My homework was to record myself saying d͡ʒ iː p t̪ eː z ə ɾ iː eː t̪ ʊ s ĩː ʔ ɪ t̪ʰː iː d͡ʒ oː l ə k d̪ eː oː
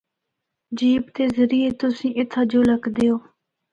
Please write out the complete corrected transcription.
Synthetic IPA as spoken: d͡ʒ iː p t̪ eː z ə ɾ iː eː t̪ ʊ s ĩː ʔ ɪ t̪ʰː aː d͡ʒ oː l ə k d̪ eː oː